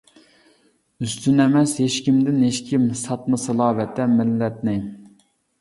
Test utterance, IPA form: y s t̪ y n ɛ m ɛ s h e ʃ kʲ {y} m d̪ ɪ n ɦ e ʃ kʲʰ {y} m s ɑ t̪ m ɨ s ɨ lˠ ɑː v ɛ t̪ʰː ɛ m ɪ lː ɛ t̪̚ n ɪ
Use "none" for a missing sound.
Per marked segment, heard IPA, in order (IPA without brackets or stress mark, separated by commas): i, i